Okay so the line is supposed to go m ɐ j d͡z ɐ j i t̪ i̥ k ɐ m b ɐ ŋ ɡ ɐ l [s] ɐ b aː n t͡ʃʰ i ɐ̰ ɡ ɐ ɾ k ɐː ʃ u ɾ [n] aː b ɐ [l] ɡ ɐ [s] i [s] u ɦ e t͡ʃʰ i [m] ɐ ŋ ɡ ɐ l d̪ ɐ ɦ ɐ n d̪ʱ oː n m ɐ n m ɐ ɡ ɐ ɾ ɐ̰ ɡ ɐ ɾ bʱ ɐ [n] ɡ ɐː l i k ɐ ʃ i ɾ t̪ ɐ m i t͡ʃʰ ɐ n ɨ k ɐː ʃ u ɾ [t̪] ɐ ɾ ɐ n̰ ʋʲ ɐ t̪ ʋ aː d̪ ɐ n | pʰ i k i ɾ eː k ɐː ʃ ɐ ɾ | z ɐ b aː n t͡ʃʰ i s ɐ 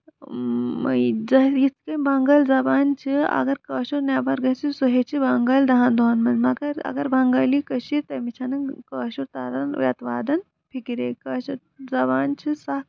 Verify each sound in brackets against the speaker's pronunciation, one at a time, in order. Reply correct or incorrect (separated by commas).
incorrect, correct, incorrect, correct, correct, incorrect, incorrect, correct